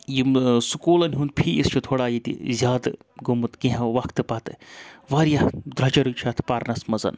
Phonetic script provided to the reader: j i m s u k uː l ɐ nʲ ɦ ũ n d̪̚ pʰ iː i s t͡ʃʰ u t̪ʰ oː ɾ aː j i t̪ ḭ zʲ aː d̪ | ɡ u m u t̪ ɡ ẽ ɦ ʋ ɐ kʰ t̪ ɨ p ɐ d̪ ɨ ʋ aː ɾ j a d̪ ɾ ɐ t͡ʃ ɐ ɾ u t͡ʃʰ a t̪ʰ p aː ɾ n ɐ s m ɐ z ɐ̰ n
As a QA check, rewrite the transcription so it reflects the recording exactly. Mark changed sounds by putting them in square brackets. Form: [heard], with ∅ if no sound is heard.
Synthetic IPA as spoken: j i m s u k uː l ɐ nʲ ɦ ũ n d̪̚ pʰ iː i s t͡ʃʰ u t̪ʰ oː [ɽ] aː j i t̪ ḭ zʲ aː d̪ | ɡ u m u t̪ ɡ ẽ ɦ ʋ ɐ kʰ t̪ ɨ p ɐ [t̪] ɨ ʋ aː ɾ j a d̪ ɾ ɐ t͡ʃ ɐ ɾ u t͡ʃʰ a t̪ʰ p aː ɾ n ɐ s m ɐ z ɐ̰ n